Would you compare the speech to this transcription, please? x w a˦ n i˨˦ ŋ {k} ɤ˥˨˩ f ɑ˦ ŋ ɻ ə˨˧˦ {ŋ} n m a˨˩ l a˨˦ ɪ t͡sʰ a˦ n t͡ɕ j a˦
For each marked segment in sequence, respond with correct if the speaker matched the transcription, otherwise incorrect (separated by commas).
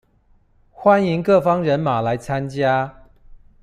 correct, incorrect